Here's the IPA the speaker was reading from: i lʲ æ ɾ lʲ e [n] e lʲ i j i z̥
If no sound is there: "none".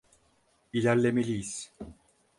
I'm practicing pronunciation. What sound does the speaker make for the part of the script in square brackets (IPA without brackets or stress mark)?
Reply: m